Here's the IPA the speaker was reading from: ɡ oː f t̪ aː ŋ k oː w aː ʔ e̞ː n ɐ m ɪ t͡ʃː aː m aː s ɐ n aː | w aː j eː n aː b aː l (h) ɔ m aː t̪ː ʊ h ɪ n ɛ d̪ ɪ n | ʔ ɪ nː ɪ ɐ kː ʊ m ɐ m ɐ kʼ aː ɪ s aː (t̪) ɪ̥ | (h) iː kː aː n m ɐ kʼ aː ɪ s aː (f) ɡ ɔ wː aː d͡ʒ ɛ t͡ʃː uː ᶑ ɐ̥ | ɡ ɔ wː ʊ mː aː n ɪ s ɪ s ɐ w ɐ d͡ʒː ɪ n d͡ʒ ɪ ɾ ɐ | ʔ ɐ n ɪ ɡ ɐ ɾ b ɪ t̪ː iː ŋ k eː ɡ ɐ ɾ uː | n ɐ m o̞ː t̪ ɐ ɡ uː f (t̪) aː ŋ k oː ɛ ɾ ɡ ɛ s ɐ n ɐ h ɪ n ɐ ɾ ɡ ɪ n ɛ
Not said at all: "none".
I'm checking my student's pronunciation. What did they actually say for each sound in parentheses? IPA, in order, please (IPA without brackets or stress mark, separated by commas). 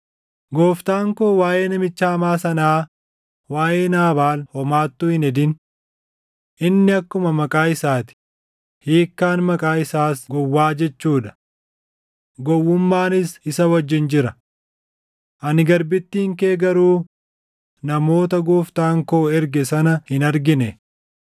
h, t̪, h, s, t̪